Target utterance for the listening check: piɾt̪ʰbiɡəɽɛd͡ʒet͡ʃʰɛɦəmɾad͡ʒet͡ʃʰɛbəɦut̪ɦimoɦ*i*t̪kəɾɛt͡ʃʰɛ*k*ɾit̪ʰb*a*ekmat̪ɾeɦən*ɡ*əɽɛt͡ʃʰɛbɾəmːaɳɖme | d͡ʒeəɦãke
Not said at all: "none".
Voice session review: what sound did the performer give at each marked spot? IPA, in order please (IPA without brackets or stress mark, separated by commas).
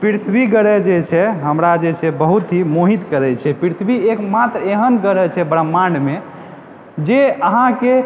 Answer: i, p, i, ɡ